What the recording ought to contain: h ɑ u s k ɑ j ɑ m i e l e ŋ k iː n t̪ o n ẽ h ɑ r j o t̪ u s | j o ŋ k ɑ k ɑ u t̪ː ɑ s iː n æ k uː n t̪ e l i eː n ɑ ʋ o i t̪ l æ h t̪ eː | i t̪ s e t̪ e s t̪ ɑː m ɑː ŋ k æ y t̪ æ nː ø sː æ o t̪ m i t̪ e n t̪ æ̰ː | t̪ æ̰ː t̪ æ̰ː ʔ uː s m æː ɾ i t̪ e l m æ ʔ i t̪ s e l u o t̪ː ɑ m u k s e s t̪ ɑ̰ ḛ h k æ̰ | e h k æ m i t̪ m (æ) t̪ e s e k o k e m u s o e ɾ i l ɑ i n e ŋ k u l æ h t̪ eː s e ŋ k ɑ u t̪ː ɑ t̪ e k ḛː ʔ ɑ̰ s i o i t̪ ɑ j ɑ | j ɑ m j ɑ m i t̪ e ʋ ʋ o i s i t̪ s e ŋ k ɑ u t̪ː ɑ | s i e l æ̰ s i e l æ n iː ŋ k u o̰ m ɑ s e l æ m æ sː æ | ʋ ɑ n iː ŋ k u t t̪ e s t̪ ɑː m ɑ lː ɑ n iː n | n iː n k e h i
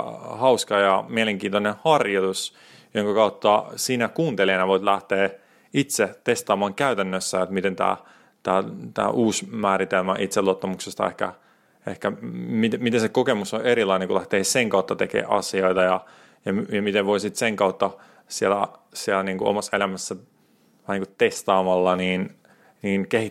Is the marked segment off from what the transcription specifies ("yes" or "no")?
yes